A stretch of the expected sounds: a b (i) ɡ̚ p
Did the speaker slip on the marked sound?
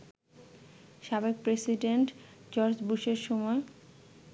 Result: yes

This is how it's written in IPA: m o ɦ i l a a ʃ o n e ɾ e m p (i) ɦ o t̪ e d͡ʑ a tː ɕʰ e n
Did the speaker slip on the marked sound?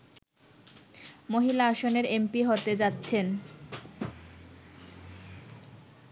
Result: no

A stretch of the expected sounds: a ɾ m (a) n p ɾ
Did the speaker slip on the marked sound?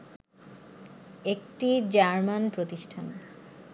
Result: no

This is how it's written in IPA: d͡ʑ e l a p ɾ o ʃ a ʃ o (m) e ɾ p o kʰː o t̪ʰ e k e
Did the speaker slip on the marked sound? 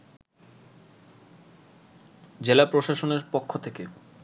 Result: yes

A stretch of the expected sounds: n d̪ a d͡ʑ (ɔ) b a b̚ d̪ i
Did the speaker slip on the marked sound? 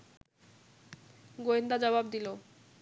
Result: no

